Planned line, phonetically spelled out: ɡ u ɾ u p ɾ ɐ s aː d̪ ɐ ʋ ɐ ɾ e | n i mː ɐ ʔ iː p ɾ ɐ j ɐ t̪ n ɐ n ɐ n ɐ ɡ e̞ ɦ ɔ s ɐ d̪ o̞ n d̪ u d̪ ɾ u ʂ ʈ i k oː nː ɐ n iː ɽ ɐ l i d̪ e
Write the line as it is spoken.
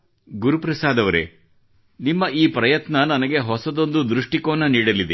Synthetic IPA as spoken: ɡ u ɾ u p ɾ ɐ s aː d̪ ɐ ʋ ɐ ɾ e | n i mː ɐ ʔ iː p ɾ ɐ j ɐ t̪ n ɐ n ɐ n ɐ ɡ e̞ ɦ ɔ s ɐ d̪ o̞ n d̪ u d̪ ɾ u ʂ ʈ i k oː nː ɐ n iː ɽ ɐ l i d̪ e